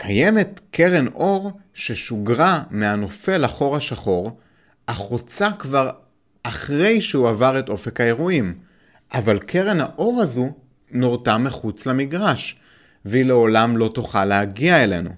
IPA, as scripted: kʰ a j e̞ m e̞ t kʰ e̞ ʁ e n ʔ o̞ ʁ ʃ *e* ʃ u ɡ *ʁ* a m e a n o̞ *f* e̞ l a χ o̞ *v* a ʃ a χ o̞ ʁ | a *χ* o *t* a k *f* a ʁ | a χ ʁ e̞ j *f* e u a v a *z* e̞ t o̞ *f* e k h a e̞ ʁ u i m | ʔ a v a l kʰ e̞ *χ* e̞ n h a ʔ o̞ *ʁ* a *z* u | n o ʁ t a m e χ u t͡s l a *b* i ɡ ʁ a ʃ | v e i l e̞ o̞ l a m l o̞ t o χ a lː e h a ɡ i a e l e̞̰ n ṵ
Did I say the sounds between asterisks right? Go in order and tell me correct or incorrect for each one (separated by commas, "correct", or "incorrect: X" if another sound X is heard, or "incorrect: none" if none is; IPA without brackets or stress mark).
correct, correct, correct, incorrect: ʁ, correct, incorrect: t͡s, incorrect: v, incorrect: ʃ, incorrect: ʁ, correct, incorrect: ʁ, correct, correct, incorrect: m